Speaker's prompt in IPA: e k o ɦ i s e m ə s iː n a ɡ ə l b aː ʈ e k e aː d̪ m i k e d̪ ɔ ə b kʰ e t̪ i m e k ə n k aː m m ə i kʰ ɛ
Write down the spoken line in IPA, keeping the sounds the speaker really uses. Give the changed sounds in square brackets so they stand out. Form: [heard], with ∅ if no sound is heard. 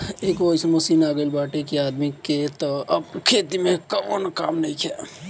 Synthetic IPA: e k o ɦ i s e m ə s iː n a ɡ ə l b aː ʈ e k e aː d̪ m i k e [t̪] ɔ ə b kʰ e t̪ i m e k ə n k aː m [n] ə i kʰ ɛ